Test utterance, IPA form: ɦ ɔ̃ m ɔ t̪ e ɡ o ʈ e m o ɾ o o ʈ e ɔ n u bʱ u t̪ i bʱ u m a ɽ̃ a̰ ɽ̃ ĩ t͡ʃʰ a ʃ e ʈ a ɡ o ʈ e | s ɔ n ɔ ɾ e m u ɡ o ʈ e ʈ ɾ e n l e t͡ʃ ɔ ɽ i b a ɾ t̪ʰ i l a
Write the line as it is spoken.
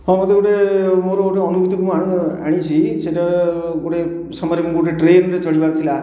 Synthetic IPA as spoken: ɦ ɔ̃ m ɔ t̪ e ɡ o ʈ e m o ɾ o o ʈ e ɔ n u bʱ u t̪ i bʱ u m a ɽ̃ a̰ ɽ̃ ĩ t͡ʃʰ i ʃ e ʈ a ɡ o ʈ e | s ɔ m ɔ ɾ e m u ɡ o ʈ e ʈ ɾ e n ɾ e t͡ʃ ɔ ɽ i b a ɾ t̪ʰ i l a